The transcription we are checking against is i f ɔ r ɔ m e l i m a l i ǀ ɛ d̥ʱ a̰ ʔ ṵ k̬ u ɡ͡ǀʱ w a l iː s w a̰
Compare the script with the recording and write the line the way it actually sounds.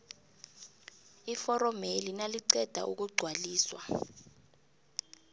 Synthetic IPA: i f ɔ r ɔ m e l i n a l i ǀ ɛ d̥ʱ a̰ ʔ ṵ k̬ u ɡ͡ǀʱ w a l iː s w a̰